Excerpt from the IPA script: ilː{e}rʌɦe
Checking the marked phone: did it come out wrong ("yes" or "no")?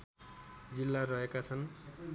yes